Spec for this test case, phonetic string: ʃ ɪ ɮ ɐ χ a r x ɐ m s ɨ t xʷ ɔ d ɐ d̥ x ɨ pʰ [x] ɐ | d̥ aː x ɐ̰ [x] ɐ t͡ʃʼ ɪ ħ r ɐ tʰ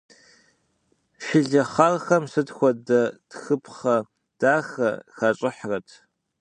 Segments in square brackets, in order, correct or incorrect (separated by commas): incorrect, correct